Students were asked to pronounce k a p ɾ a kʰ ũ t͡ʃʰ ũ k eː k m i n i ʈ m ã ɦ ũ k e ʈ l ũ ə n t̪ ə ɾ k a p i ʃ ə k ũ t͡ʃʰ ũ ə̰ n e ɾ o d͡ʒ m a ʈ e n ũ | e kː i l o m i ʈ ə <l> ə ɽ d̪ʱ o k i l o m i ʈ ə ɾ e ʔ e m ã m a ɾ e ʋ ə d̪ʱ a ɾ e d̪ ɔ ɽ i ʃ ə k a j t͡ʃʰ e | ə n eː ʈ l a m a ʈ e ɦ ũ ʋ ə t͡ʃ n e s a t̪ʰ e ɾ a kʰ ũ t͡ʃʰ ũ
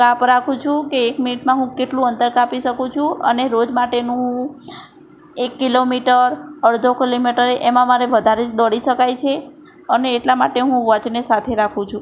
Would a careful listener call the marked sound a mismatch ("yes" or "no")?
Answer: yes